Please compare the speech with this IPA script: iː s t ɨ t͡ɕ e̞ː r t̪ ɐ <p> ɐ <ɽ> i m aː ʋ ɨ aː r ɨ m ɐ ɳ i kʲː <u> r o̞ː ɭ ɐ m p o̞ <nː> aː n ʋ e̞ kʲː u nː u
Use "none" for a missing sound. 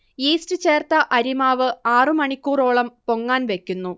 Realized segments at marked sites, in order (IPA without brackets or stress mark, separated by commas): ʔ, ɾ, uː, ŋː